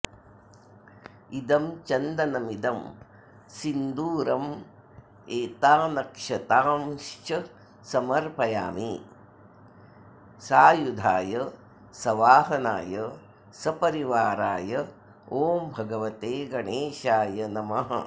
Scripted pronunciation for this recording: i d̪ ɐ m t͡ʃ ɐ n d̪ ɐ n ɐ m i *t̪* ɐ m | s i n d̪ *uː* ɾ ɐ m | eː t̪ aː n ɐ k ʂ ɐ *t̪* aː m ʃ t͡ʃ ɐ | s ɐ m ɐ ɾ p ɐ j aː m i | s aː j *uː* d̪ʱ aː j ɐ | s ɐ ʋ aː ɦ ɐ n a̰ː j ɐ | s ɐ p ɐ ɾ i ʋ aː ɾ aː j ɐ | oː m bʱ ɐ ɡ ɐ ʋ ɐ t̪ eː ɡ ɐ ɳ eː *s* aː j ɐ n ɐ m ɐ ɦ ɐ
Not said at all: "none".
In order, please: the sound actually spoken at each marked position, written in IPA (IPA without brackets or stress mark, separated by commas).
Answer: d̪, uː, t̪, u, ʃ